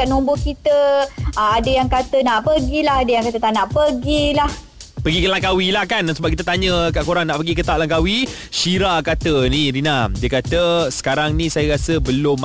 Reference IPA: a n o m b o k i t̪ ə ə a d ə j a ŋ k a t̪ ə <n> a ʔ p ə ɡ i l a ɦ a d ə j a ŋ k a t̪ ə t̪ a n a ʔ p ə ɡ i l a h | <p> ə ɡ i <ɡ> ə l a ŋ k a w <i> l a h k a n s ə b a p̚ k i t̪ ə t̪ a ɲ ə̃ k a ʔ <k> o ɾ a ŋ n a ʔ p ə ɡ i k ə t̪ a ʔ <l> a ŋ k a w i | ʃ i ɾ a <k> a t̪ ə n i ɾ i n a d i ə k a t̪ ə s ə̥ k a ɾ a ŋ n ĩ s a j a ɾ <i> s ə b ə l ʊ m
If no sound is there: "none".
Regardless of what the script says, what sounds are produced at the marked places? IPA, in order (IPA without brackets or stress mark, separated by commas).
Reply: n, p, k, i, k, l, k, a